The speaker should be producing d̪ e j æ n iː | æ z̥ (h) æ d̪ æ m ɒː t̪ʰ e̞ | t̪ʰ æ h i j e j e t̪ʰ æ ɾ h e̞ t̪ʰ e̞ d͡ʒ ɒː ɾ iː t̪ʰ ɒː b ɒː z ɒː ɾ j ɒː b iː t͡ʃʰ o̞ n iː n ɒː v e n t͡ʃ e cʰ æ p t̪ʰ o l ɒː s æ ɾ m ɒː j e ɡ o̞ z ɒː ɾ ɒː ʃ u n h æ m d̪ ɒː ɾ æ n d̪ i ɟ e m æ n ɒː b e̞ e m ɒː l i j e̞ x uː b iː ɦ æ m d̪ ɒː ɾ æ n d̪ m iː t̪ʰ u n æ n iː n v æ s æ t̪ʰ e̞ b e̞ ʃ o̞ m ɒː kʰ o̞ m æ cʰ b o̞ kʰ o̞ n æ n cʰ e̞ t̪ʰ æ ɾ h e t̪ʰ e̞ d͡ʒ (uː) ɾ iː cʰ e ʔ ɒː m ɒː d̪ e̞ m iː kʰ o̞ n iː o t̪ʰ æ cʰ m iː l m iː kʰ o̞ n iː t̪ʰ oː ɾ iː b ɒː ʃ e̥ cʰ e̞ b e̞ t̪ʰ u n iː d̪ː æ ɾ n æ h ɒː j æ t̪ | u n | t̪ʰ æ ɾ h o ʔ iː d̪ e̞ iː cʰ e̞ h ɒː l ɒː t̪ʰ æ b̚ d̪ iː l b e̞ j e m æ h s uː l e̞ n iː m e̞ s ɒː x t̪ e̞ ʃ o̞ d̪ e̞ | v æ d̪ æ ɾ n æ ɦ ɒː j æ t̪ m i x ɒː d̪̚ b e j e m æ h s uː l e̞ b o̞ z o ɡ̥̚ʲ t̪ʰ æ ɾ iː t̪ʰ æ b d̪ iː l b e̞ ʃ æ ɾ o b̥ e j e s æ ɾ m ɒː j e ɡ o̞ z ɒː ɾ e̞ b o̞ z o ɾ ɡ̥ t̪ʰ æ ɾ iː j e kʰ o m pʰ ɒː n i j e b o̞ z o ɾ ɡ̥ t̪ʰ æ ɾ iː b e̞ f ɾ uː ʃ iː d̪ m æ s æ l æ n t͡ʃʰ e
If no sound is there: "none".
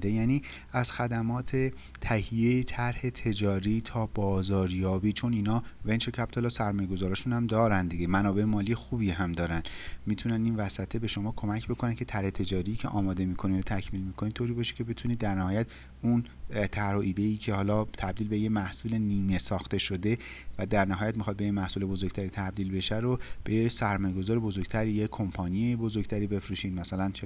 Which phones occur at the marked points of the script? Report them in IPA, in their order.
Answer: x, ɒː

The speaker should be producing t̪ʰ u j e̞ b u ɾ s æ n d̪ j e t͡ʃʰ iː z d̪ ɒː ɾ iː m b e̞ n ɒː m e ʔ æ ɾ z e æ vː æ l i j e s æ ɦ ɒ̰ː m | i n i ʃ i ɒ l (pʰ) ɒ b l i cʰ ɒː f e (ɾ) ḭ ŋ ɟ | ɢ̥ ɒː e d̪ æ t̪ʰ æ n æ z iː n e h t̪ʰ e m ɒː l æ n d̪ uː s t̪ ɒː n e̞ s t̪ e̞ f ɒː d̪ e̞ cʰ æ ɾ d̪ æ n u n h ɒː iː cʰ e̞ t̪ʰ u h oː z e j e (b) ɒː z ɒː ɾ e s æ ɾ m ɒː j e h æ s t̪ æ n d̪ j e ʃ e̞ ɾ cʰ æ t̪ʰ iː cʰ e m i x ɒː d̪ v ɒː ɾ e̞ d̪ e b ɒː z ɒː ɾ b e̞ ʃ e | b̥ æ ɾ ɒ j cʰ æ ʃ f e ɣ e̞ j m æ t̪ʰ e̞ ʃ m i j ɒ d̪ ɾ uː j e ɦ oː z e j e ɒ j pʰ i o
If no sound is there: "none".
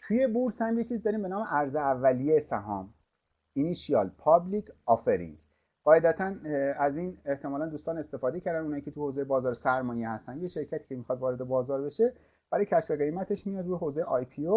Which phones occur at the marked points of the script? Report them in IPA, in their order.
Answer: pʰ, ɾ, b

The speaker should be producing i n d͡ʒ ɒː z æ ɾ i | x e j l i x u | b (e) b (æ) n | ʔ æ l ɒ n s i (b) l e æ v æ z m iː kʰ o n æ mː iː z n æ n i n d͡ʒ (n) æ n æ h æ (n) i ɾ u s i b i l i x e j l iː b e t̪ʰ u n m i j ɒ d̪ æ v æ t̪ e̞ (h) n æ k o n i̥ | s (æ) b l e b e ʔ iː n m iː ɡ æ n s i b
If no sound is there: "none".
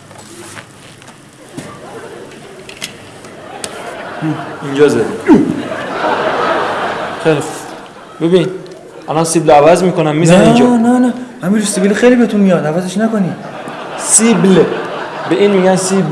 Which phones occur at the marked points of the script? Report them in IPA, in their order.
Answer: e, i, b, n, m, ʃ, i

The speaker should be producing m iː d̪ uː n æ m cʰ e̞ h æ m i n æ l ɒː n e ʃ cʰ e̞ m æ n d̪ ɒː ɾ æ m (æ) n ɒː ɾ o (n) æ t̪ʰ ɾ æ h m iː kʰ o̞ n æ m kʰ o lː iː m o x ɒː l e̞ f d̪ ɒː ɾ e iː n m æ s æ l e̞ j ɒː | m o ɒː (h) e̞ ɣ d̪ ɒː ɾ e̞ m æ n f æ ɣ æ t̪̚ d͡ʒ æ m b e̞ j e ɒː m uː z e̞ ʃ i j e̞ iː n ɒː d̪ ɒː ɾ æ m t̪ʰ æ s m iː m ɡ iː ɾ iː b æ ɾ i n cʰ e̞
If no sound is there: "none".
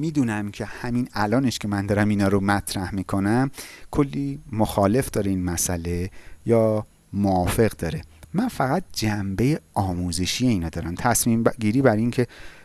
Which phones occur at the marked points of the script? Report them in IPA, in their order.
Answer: i, m, f

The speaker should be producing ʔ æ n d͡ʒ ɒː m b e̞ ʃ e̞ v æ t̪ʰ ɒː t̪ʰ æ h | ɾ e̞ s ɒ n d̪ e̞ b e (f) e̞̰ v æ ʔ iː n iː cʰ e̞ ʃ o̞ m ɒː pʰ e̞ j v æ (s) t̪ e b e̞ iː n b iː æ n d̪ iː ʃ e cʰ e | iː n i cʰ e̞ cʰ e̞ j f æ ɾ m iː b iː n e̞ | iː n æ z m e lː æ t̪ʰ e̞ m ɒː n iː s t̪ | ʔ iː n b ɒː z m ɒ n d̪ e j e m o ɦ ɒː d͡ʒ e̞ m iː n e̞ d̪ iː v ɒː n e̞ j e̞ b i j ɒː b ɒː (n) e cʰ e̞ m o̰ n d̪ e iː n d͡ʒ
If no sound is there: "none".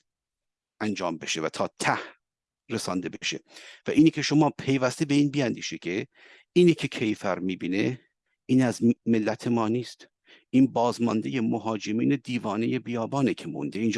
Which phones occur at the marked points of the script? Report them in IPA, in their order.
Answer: ʃ, s, n

